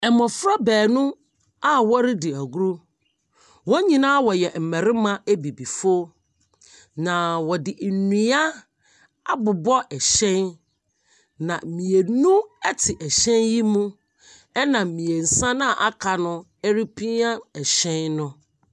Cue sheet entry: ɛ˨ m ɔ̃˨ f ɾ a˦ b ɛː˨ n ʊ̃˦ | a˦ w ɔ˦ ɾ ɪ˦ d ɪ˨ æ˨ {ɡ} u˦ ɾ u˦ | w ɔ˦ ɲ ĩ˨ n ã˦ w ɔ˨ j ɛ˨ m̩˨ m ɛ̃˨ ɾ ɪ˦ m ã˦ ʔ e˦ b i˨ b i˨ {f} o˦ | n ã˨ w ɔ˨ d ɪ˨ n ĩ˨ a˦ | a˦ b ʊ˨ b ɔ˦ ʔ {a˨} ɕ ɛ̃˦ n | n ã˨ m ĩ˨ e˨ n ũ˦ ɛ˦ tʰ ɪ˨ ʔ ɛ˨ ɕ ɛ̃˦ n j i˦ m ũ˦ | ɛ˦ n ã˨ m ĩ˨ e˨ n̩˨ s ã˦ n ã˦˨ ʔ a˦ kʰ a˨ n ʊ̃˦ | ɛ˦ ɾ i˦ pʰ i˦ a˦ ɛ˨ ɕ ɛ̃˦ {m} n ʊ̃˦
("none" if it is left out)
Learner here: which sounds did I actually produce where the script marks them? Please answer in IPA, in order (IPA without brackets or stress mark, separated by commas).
ɡ, f, ɛ˨, n